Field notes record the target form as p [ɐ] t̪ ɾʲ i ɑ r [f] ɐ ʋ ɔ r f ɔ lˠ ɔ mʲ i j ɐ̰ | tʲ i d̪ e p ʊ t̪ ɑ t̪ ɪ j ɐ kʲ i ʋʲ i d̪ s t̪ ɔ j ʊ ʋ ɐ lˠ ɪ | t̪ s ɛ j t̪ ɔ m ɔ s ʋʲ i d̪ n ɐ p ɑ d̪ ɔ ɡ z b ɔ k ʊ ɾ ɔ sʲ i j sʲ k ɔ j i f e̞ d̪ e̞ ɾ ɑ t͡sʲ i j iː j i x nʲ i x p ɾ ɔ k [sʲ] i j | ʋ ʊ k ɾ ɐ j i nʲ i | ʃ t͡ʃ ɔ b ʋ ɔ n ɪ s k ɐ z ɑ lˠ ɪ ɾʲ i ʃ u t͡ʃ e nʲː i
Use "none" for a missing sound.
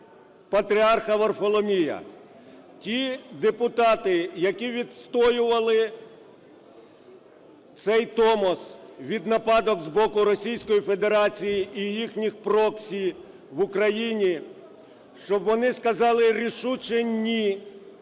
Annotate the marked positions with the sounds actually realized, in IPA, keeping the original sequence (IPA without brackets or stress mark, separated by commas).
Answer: ɐ, x, sʲ